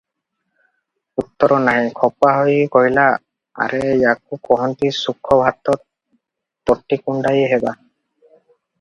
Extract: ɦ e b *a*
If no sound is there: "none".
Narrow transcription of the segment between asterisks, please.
a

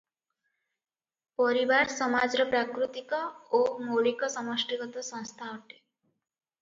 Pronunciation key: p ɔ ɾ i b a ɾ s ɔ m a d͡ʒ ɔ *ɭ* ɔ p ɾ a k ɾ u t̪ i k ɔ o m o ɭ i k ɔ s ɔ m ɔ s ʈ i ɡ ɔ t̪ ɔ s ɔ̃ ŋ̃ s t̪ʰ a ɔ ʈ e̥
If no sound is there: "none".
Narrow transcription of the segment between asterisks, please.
ɾ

